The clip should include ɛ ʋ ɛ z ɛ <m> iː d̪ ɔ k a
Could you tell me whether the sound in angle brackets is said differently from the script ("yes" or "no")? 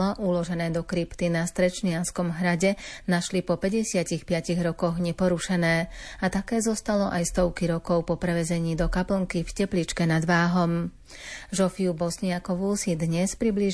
yes